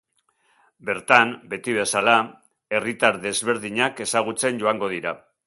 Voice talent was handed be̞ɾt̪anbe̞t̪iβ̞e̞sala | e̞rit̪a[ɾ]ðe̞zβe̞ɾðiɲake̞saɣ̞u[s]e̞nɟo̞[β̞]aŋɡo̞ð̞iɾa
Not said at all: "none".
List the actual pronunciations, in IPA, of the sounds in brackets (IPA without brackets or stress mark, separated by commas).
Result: ɾ, t͡s, none